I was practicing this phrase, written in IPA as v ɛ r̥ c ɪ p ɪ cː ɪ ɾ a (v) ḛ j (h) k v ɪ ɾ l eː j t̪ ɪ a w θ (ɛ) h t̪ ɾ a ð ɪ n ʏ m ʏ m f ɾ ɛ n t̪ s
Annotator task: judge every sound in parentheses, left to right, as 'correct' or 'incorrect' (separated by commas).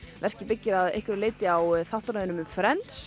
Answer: incorrect, correct, incorrect